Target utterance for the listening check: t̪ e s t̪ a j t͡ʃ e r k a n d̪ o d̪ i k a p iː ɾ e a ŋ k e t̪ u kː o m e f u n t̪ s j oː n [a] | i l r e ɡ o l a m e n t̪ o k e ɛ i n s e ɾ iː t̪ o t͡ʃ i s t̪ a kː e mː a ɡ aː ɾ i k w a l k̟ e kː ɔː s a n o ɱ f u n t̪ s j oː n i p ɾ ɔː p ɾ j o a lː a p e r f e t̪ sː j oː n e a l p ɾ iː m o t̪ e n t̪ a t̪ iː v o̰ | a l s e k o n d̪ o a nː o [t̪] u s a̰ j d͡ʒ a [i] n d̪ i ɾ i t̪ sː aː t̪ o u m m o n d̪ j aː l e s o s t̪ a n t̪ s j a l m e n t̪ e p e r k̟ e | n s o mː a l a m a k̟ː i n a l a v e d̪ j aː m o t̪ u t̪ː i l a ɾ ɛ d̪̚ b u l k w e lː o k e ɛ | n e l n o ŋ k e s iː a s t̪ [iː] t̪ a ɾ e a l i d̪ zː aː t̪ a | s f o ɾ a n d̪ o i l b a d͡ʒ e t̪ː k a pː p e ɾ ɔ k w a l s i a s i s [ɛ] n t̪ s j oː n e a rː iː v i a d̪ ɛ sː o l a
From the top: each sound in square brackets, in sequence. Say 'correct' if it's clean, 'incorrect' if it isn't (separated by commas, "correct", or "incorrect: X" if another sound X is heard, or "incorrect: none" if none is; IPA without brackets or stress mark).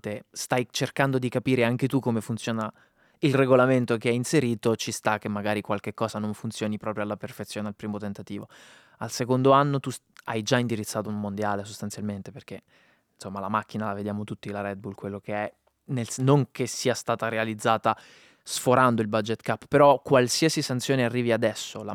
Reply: correct, correct, correct, incorrect: aː, incorrect: a